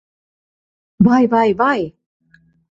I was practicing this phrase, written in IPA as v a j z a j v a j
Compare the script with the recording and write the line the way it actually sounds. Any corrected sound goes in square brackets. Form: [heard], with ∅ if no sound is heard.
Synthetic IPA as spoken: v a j [v] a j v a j

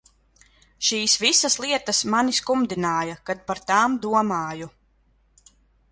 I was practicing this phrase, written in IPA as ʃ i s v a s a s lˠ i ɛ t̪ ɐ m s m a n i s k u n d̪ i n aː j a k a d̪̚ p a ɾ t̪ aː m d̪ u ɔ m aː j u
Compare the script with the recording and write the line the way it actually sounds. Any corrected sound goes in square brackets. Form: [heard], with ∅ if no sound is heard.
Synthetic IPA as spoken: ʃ [iː] s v [i] s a s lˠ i ɛ t̪ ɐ [∅] s m a n i s k u [m] d̪ i n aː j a k a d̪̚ p a ɾ t̪ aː m d̪ u ɔ m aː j u

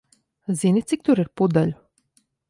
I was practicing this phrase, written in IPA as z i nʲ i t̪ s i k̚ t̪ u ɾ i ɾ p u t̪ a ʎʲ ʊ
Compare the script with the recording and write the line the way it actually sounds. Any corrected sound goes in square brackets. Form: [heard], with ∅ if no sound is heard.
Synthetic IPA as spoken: z i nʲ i t̪ s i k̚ t̪ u ɾ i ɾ p u [d̪] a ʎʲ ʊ

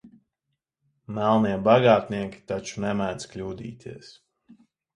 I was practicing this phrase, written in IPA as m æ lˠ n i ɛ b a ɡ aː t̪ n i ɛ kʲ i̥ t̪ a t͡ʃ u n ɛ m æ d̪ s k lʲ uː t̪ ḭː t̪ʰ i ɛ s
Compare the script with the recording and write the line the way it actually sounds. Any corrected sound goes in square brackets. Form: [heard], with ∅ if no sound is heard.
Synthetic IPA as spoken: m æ lˠ n i ɛ b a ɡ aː t̪ n i ɛ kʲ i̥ t̪ a t͡ʃ u n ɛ m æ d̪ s k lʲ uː [d̪] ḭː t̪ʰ i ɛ s

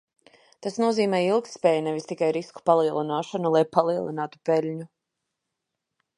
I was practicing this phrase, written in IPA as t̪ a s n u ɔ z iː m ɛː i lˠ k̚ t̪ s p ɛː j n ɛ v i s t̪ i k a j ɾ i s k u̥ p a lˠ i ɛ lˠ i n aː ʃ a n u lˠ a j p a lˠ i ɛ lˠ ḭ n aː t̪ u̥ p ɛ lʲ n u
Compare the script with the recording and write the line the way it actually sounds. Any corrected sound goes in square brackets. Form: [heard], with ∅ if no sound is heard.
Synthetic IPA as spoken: t̪ a s n u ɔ z iː m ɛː i lˠ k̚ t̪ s p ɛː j n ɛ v i s t̪ i k a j ɾ i s k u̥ p a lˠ i ɛ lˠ i n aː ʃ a n u lˠ a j p a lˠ i ɛ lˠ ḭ n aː t̪ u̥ p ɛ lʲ [ɲ] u

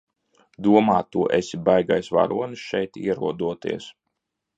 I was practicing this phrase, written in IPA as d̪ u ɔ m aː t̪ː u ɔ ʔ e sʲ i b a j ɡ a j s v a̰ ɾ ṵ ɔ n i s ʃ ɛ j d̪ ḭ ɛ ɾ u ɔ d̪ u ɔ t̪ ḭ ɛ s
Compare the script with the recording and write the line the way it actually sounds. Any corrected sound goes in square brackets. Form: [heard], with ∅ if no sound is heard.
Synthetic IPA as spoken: d̪ u ɔ m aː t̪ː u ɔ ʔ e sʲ i b a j ɡ a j s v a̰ ɾ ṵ ɔ n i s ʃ ɛ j [t̪] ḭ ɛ ɾ u ɔ d̪ u ɔ t̪ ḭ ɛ s

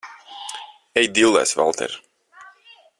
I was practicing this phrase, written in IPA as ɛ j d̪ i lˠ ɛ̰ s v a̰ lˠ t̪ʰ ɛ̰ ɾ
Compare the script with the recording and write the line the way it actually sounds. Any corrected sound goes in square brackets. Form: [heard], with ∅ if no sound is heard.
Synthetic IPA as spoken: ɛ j d̪ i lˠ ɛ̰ s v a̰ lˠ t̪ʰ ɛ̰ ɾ

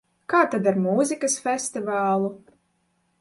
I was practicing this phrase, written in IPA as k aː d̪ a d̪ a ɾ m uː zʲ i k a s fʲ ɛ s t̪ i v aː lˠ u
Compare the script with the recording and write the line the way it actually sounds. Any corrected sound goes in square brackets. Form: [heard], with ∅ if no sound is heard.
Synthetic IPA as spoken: k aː [t̪] a d̪ a ɾ m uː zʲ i k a s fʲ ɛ s t̪ i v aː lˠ u

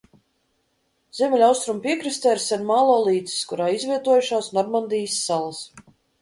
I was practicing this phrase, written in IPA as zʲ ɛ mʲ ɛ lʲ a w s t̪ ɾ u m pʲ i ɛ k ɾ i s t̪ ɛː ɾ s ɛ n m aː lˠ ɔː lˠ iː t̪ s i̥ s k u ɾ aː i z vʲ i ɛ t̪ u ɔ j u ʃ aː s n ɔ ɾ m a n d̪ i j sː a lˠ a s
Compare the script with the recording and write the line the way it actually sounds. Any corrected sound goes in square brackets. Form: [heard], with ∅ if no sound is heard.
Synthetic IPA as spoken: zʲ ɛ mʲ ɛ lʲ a w s t̪ ɾ u m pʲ i ɛ k ɾ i s t̪ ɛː ɾ s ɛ n m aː lˠ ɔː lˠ iː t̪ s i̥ s k u ɾ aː i z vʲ i ɛ t̪ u ɔ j u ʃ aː s n ɔ ɾ m a n d̪ i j sː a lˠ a s

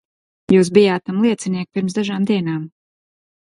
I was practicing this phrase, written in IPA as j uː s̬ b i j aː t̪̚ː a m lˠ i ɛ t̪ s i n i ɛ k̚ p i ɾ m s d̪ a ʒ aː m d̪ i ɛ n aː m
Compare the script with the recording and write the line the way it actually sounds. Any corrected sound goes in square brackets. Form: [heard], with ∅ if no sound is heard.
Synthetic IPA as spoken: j uː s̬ b i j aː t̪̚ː a m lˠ i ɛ t̪ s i n i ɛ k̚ p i ɾ m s d̪ a ʒ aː m d̪ i ɛ n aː m

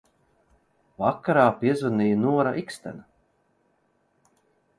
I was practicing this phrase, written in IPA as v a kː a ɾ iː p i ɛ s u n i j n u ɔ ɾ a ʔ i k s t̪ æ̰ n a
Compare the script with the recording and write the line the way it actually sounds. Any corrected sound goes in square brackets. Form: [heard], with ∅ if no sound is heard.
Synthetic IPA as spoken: v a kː a ɾ [aː] p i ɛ [z] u n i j n u ɔ ɾ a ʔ i k s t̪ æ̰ n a

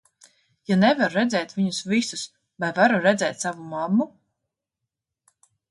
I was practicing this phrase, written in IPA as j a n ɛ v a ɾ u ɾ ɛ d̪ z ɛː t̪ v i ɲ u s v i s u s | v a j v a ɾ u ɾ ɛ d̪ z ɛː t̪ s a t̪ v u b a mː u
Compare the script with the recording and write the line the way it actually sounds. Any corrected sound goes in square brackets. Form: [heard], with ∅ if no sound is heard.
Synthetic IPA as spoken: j a n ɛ v a ɾ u ɾ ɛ d̪ z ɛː t̪ v i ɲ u s v i s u s | v a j v a ɾ u ɾ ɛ d̪ z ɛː t̪ s a [∅] v u [m] a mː u

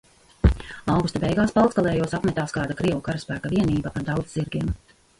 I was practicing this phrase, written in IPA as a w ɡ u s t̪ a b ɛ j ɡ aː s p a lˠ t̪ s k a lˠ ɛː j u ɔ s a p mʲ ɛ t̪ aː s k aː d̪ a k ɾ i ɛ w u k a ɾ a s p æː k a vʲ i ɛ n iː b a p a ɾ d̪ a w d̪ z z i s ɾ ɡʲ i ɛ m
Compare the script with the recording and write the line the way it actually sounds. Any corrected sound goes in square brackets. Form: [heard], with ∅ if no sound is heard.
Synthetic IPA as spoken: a w ɡ u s t̪ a b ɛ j ɡ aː s p a lˠ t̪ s k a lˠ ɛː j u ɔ s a p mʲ ɛ t̪ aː s k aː d̪ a k ɾ i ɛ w u k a ɾ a s p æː k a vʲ i ɛ n iː b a p a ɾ d̪ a w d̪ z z i [∅] ɾ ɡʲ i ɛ m

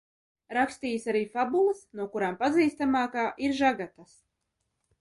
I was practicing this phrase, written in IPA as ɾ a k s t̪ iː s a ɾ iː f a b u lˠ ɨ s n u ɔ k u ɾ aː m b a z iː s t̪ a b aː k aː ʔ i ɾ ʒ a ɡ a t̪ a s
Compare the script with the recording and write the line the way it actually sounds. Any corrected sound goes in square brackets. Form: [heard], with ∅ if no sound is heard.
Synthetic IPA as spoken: ɾ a k s t̪ iː s a ɾ iː f a b u lˠ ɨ s n u ɔ k u ɾ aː m [p] a z iː s t̪ a [m] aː k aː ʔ i ɾ ʒ a ɡ a t̪ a s

